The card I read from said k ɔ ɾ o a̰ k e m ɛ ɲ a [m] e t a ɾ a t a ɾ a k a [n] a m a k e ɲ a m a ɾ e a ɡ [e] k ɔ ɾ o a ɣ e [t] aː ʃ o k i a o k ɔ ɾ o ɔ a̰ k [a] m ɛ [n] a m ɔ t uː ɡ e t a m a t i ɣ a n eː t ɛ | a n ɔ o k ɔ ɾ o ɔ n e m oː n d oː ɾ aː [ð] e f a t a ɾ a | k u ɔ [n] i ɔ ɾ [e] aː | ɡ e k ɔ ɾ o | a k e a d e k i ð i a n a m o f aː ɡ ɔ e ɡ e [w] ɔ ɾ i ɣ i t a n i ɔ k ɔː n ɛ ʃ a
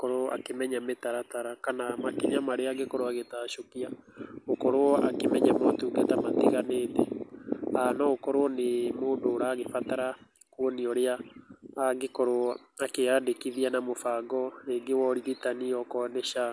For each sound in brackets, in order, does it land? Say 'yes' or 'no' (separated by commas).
yes, yes, yes, yes, no, no, no, yes, yes, yes